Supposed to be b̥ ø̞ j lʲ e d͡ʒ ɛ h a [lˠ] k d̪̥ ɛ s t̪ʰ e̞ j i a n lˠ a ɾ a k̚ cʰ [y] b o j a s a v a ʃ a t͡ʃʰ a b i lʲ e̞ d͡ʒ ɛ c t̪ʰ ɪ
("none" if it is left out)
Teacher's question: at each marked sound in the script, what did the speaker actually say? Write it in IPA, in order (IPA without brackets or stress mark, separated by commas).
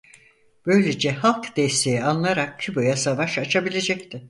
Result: lˠ, y